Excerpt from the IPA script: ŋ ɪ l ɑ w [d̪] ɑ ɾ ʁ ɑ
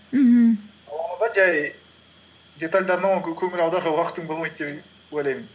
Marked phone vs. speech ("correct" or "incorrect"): correct